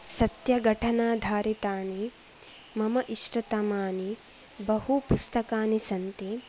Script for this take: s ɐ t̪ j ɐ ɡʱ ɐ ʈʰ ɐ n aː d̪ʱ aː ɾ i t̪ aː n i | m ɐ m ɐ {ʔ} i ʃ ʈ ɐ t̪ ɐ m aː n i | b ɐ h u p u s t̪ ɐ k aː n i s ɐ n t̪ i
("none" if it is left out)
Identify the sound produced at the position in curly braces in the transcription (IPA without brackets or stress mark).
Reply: ʔ